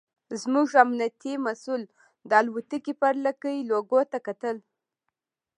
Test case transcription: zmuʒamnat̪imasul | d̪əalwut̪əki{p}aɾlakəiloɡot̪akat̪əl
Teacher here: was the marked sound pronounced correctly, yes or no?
yes